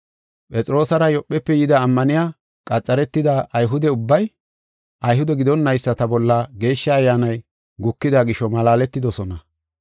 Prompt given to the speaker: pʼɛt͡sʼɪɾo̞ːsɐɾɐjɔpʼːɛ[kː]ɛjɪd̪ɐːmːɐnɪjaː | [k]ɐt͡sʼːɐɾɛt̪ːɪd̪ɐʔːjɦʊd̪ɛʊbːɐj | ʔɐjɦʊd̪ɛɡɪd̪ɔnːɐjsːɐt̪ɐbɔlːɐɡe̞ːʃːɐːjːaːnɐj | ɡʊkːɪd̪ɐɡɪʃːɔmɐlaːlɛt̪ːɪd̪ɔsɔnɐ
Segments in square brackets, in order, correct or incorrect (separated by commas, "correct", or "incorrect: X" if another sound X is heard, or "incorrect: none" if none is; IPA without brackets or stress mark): incorrect: pː, incorrect: kʼ